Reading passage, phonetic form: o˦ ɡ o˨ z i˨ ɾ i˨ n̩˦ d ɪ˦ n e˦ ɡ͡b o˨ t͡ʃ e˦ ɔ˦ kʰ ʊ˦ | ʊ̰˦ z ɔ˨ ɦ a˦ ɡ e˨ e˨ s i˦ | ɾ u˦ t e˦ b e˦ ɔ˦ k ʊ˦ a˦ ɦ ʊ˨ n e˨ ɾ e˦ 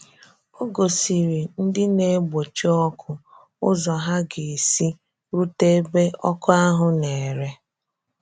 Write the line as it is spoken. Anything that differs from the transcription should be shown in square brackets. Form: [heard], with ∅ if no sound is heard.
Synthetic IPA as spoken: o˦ ɡ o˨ [s] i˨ ɾ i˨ n̩˦ d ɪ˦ n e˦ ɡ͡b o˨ t͡ʃ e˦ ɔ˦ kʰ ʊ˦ | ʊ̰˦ z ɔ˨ ɦ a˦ ɡ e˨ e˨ s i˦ | ɾ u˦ t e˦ b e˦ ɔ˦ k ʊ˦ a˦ ɦ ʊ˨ n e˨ ɾ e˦